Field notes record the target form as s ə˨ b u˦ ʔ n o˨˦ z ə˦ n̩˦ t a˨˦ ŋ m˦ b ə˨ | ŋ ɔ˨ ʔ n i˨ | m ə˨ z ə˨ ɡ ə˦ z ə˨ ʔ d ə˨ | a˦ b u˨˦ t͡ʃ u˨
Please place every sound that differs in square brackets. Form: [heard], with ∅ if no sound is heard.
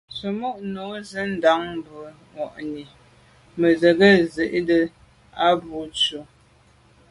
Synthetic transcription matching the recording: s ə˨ [m] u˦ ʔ n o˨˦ z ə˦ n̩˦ [d] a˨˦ ŋ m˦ b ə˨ | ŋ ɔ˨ ʔ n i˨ | m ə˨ z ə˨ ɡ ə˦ z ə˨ ʔ d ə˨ | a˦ b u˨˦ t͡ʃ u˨